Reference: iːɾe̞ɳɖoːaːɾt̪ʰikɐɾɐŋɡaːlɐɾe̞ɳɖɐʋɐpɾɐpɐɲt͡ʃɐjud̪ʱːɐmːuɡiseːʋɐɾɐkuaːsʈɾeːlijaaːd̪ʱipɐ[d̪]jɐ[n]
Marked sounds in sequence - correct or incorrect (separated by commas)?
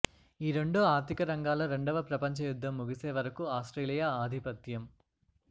incorrect, incorrect